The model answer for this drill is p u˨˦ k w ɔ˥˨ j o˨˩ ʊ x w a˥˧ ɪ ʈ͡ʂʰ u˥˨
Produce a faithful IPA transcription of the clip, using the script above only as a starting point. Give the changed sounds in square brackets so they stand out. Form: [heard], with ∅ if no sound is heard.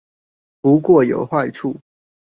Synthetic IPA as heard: p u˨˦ k w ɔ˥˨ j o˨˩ ʊ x w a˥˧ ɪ ʈ͡ʂʰ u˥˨

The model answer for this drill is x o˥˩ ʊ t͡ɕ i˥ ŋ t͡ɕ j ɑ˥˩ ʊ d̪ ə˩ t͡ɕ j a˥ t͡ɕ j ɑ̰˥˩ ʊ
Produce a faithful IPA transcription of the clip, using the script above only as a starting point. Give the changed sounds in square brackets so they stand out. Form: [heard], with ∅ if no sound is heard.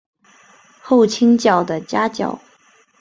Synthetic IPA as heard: x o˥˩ ʊ [t͡ɕʰ] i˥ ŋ t͡ɕ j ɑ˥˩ ʊ d̪ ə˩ t͡ɕ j a˥ t͡ɕ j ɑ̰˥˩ ʊ

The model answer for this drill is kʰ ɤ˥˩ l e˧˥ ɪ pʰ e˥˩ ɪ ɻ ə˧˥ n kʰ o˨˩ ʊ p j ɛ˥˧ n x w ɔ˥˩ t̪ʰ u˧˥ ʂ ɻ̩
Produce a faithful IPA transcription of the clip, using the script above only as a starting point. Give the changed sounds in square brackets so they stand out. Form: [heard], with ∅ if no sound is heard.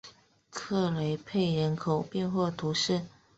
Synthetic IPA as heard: kʰ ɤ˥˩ l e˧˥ ɪ pʰ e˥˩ ɪ ɻ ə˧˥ n kʰ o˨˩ ʊ p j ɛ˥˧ n x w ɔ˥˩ t̪ʰ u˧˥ ʂ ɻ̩

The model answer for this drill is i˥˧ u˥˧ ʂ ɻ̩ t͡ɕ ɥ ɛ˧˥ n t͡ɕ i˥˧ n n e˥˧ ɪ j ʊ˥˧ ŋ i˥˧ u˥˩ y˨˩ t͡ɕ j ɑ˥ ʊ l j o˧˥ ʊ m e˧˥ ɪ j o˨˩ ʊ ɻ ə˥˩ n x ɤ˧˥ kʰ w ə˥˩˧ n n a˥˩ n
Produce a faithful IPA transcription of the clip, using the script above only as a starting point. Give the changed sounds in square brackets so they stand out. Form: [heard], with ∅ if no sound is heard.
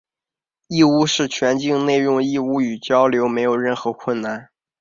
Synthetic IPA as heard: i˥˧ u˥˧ ʂ ɻ̩ [t͡ɕʰ] ɥ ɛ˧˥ n t͡ɕ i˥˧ [ŋ] n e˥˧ ɪ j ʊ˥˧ ŋ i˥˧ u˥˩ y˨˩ t͡ɕ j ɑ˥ ʊ l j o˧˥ ʊ m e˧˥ ɪ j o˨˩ ʊ ɻ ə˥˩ n x ɤ˧˥ kʰ w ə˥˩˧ n n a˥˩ n

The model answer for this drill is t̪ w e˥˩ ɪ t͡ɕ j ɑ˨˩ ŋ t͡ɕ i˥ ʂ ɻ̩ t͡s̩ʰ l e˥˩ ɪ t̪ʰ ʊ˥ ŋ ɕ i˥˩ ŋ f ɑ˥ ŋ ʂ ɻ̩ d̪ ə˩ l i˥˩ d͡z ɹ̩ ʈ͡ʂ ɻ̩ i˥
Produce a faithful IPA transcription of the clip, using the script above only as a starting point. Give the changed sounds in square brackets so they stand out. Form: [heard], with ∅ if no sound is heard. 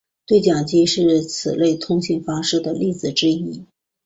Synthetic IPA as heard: t̪ w e˥˩ ɪ t͡ɕ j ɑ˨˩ ŋ t͡ɕ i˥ ʂ ɻ̩ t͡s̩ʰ l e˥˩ ɪ t̪ʰ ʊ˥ ŋ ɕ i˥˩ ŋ f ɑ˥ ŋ ʂ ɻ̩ d̪ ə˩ l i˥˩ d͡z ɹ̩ ʈ͡ʂ ɻ̩ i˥

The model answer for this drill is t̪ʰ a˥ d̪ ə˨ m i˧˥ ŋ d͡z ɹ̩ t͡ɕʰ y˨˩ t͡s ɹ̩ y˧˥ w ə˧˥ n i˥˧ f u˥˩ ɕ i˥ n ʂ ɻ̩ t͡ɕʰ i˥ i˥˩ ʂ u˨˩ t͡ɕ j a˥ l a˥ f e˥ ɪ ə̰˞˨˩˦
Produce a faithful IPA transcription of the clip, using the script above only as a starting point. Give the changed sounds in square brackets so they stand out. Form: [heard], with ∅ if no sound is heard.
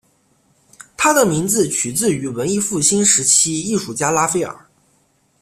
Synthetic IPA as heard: t̪ʰ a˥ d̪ ə˨ m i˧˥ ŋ d͡z ɹ̩ t͡ɕʰ y˨˩ t͡s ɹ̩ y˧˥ w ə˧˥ n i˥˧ f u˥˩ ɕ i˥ n ʂ ɻ̩ t͡ɕʰ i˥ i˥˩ ʂ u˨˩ t͡ɕ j a˥ l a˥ f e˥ ɪ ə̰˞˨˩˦

